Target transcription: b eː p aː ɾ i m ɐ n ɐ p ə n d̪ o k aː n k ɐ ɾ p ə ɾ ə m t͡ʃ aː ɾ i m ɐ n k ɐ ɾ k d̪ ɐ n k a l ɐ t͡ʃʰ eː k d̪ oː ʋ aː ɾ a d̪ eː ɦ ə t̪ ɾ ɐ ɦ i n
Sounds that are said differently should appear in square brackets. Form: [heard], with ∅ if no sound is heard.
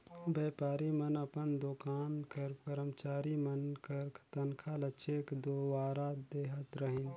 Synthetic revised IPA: b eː p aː ɾ i m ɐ n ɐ p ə n d̪ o k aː n k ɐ ɾ p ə ɾ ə m t͡ʃ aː ɾ i m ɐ n k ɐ ɾ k [t̪] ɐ n [kʰ] a l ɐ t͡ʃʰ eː k d̪ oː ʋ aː ɾ a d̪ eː ɦ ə t̪ ɾ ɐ ɦ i n